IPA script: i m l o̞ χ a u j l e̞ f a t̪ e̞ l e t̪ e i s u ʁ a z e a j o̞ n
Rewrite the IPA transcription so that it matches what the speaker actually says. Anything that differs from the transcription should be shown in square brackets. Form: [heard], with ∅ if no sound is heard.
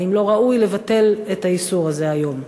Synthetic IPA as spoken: i m l o̞ [ʁ] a u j l e̞ [v] a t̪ e̞ l e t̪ [a] i s u ʁ a z e a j o̞ [m]